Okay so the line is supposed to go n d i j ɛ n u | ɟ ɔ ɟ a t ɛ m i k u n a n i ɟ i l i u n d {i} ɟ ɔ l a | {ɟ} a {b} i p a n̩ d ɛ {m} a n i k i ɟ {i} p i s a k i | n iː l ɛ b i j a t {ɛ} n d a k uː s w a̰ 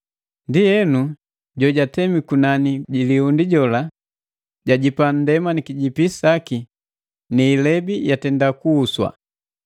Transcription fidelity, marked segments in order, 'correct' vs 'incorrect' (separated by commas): correct, correct, incorrect, correct, correct, correct